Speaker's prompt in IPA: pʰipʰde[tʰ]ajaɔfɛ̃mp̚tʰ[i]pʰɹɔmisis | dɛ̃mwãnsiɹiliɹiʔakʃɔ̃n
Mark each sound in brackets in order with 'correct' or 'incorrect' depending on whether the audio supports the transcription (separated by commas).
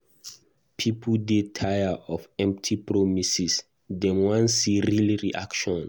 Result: correct, correct